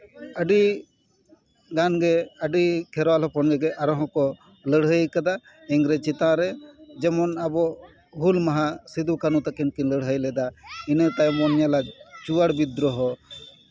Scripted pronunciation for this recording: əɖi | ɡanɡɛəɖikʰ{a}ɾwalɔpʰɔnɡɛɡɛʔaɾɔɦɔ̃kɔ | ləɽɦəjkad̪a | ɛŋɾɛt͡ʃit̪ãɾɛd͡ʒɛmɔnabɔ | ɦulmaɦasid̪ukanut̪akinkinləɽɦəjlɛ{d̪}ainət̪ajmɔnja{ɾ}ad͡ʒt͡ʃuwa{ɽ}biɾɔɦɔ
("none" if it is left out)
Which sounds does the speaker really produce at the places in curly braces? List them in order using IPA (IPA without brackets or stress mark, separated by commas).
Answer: ɛ, d̪, l, ɽ